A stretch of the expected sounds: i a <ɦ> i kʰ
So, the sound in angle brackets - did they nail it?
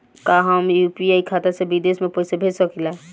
no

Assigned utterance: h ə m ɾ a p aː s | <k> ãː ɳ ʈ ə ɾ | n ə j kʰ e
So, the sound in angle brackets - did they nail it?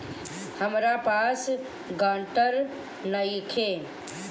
no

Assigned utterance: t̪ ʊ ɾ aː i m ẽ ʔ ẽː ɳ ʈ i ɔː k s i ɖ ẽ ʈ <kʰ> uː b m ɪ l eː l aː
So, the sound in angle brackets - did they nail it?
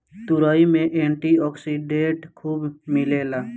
yes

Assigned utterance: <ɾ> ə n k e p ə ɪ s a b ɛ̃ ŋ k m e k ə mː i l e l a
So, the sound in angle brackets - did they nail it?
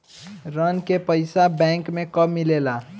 yes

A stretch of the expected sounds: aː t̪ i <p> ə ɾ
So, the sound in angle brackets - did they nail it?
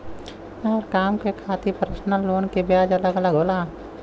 yes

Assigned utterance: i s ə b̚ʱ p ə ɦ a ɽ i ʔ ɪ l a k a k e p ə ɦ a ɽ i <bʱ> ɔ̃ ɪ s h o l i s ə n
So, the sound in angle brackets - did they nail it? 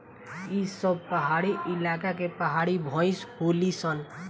yes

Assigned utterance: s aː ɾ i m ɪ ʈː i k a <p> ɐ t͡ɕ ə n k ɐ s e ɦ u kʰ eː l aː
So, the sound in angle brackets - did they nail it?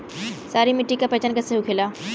yes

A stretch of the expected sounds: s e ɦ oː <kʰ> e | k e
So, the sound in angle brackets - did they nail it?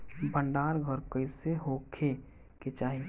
yes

